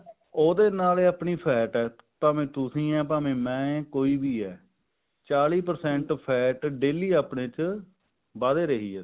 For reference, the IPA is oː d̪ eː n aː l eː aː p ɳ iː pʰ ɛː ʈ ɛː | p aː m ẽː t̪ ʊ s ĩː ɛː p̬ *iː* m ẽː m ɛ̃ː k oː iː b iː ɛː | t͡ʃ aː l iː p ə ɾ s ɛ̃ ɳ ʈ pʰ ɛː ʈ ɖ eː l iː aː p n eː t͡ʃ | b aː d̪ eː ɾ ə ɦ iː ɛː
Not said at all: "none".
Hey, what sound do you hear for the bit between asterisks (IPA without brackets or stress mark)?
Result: aː